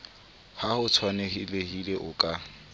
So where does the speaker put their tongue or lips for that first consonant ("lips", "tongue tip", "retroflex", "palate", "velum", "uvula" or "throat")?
throat